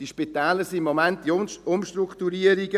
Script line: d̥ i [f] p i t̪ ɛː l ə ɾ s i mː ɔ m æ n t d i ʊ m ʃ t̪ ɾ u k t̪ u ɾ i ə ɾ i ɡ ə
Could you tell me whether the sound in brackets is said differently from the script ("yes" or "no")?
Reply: yes